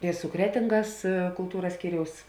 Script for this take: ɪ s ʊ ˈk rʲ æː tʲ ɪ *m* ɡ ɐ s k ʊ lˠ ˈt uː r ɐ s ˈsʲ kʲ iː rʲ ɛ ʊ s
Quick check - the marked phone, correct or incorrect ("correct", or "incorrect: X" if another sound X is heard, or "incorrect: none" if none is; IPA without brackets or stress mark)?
incorrect: ŋ